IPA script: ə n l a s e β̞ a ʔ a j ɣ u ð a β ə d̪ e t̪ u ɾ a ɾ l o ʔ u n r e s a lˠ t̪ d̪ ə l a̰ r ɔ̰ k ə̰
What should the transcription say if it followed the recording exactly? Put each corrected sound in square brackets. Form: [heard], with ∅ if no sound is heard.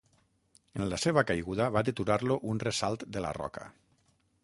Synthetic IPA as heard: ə n l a s e β̞ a [k] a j ɣ u ð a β [a] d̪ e t̪ u ɾ a ɾ l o ʔ u n r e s a lˠ t̪ d̪ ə l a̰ r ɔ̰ k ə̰